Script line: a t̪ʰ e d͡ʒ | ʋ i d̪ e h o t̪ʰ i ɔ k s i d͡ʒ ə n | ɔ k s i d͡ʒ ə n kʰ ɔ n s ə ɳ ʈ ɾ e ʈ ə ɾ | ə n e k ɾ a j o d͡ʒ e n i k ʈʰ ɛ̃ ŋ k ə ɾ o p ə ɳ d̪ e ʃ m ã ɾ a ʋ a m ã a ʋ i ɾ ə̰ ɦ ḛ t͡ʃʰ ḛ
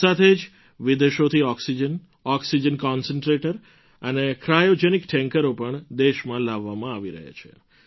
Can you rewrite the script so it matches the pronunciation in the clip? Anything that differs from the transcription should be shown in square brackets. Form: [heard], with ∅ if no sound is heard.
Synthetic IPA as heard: a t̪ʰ e d͡ʒ | ʋ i d̪ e [ʃ] o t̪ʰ i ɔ k s i d͡ʒ ə n | ɔ k s i d͡ʒ ə n [k] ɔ n s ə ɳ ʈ ɾ e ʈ ə ɾ | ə n e k ɾ a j o d͡ʒ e n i k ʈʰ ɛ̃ ŋ k ə ɾ o p ə ɳ d̪ e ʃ m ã [l] a [ʋː] a m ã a ʋ i ɾ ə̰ ɦ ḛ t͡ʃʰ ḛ